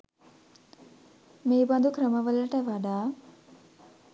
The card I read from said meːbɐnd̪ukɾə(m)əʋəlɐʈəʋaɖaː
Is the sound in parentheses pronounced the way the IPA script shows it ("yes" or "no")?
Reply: yes